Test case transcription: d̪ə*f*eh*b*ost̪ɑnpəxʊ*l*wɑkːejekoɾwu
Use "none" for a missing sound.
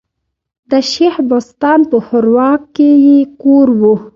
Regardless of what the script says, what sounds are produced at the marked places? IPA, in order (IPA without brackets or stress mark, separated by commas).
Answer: ʃ, b, ɾ